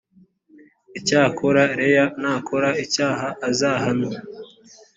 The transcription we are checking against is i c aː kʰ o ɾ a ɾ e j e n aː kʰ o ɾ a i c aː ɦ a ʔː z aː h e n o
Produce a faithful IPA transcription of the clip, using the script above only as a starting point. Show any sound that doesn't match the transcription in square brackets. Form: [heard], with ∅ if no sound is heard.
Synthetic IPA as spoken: i c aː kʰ o ɾ a ɾ e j [a] n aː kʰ o ɾ a i c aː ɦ a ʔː z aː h [a] n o